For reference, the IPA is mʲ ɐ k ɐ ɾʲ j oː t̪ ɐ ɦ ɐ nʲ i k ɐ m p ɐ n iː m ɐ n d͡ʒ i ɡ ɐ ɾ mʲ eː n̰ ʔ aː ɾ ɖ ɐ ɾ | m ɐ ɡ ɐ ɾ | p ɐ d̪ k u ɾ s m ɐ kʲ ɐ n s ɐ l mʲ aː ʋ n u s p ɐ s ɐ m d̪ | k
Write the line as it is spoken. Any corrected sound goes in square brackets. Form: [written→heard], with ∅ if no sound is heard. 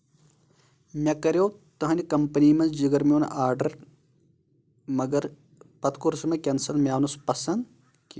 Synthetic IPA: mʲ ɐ k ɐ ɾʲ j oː t̪ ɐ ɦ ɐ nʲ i k ɐ m p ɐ n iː m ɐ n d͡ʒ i ɡ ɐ ɾ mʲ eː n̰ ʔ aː ɾ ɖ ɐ ɾ | m ɐ ɡ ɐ ɾ | p ɐ [d̪→t̪] k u ɾ s m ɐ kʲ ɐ n s ɐ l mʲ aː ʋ n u s p ɐ s ɐ [m→n] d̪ | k